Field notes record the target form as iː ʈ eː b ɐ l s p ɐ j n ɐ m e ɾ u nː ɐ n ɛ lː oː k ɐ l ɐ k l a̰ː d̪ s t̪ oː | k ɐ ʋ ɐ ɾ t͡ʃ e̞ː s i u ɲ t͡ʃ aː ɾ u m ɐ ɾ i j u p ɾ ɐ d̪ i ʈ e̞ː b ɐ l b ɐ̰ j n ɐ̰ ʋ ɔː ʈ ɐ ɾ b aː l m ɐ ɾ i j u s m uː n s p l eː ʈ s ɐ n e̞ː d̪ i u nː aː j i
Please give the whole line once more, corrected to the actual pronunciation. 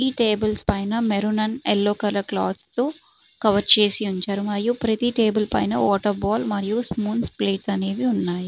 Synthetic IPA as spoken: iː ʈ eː b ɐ l s p ɐ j n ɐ m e ɾ u n ɐ n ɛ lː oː k ɐ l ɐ k l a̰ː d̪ s t̪ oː | k ɐ ʋ ɐ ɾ t͡ʃ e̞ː s i u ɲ t͡ʃ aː ɾ u m ɐ ɾ i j u p ɾ ɐ t̪ i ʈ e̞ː b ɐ l p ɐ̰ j n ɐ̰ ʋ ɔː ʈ ɐ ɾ b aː l m ɐ ɾ i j u s m uː n s p l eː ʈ s ɐ n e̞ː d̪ i u nː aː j i